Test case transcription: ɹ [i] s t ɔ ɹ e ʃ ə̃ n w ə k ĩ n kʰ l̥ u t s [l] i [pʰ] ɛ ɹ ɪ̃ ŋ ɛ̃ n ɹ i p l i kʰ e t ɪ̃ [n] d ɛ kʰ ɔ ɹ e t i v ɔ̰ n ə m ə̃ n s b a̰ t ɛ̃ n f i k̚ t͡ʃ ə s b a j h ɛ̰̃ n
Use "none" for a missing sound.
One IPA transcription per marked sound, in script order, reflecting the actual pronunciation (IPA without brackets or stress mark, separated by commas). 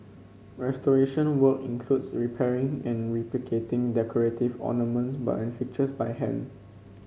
ɛ, ɹ, pʰ, ŋ